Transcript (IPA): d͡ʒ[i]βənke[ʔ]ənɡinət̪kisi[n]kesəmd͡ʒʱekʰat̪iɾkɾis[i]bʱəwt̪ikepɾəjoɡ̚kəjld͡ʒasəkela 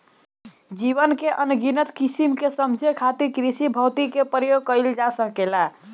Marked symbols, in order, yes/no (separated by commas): yes, yes, no, yes